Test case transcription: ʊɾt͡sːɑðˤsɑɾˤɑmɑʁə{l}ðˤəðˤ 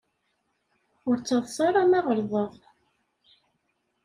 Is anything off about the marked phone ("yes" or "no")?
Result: yes